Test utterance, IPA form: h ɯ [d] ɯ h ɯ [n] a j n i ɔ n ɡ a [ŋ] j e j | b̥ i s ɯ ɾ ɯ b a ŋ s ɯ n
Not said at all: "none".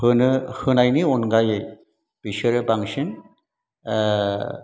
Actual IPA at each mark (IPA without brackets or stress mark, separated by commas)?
n, n, none